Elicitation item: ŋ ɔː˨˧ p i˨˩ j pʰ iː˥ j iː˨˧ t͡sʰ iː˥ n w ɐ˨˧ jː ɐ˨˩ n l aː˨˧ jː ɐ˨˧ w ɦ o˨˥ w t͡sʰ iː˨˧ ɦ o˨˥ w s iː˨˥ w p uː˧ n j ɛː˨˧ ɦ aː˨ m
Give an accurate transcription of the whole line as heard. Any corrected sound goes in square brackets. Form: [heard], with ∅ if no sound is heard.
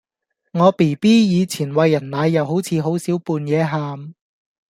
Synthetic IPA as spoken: ŋ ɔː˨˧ p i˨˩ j [p] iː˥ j iː˨˧ t͡sʰ [iː˨˩] n w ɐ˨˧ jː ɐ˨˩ n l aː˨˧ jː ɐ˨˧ w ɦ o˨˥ w t͡sʰ iː˨˧ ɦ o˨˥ w s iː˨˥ w p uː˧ n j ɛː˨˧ ɦ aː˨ m